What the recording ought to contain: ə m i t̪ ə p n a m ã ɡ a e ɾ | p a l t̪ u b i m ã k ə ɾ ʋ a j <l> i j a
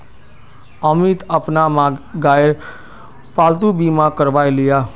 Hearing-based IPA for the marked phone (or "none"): l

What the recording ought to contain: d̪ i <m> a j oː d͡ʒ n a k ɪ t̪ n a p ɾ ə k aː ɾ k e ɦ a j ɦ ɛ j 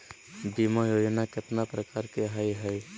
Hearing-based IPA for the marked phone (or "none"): m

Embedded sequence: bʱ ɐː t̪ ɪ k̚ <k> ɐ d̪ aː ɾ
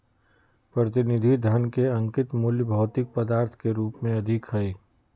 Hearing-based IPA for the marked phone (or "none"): p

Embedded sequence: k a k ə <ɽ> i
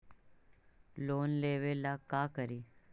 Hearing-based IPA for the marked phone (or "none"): ɾ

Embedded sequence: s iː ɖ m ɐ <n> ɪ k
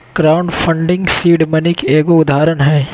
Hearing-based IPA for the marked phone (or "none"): n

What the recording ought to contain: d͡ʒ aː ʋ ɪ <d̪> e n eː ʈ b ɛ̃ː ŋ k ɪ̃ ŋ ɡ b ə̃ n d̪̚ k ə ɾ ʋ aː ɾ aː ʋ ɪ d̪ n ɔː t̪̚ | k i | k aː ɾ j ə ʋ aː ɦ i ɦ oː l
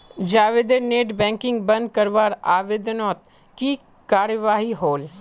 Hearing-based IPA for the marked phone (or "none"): d̪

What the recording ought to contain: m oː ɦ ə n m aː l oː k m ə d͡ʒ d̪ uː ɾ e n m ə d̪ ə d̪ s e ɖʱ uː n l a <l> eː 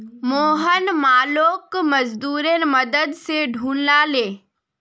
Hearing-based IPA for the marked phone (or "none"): l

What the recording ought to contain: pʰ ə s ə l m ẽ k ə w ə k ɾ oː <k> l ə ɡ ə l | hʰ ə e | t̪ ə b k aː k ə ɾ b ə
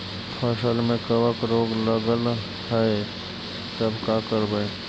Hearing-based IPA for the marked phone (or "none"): ɡ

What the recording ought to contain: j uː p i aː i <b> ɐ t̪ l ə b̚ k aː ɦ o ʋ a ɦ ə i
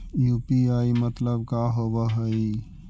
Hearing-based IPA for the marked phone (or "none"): m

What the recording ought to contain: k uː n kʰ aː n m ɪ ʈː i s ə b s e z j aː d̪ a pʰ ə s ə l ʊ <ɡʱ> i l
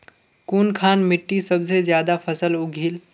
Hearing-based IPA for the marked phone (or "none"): ɡʱ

